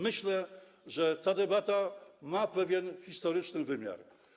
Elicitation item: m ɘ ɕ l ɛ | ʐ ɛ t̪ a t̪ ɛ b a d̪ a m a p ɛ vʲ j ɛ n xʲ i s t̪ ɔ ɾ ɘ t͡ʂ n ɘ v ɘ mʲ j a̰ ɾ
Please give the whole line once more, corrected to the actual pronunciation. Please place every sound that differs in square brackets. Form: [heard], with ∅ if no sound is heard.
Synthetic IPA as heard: m ɘ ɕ l ɛ | ʐ ɛ t̪ a [d̪] ɛ b a [t̪] a m a p ɛ vʲ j ɛ n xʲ i s t̪ ɔ ɾ ɘ t͡ʂ n ɘ v ɘ mʲ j a̰ ɾ